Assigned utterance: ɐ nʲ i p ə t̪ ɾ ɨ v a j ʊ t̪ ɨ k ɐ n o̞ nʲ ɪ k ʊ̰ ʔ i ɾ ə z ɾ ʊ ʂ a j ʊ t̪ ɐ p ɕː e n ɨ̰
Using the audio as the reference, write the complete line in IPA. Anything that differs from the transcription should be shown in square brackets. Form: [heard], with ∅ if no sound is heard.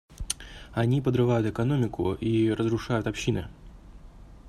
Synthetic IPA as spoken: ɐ nʲ i p ə [d̪] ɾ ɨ v a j ʊ t̪ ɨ k ɐ n o̞ [mʲ] ɪ k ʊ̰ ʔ i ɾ ə z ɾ ʊ ʂ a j ʊ t̪ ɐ p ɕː [i] n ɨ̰